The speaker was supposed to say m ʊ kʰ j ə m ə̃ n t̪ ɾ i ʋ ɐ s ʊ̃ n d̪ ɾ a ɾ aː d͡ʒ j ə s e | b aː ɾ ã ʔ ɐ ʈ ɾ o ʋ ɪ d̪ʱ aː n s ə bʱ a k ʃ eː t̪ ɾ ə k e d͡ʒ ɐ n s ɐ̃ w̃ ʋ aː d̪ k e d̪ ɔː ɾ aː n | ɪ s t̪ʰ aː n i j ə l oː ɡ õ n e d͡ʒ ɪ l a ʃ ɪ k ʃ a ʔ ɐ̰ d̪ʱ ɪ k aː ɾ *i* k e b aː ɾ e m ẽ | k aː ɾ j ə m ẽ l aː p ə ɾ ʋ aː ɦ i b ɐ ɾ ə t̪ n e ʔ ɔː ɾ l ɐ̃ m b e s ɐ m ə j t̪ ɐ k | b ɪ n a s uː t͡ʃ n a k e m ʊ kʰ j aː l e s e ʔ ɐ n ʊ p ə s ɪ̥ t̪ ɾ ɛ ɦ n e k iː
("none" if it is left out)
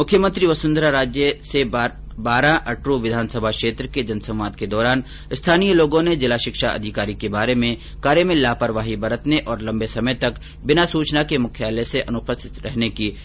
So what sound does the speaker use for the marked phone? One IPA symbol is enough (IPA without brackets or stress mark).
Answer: i